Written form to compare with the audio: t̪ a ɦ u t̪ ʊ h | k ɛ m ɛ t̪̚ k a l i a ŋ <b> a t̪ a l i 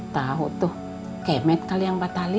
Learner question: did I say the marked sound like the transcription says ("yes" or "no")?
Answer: yes